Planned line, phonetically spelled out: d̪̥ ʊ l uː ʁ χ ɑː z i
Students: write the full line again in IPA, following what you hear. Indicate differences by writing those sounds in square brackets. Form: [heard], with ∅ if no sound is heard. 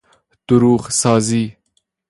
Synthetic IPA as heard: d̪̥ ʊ [ɾ] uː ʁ [s] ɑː z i